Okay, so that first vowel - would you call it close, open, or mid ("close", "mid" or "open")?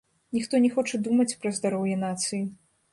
close